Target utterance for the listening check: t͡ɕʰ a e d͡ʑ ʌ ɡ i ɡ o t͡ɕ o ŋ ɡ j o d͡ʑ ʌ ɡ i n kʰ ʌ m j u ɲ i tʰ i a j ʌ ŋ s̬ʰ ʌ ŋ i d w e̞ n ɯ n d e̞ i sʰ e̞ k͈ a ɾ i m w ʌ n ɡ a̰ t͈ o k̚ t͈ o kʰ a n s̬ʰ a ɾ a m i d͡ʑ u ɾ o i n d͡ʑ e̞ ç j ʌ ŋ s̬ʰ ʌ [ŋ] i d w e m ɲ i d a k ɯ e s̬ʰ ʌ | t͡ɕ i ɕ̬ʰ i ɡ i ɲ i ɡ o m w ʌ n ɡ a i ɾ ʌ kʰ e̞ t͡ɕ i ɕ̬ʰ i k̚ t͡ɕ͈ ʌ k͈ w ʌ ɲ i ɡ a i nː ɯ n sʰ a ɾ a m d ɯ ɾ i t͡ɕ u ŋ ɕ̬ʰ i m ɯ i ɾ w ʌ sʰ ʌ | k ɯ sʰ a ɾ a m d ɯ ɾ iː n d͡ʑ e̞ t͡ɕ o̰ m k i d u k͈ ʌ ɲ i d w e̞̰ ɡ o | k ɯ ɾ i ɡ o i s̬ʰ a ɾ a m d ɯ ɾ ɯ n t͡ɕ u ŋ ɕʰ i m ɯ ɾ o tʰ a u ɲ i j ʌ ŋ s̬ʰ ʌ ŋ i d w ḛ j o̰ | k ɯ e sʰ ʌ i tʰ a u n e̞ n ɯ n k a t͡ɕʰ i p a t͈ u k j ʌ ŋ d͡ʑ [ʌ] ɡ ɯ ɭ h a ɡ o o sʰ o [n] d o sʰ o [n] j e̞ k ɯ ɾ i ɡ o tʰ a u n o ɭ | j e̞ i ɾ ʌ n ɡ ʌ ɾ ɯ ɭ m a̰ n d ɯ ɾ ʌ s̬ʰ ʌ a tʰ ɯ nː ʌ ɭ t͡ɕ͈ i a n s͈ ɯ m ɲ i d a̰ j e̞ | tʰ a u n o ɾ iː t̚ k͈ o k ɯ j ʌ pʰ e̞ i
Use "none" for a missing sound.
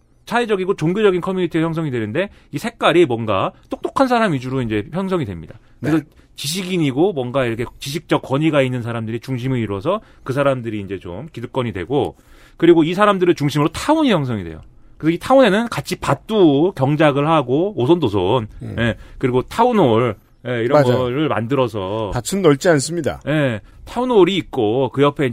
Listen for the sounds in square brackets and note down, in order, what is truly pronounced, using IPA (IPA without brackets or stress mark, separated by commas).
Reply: ŋ, a, n, n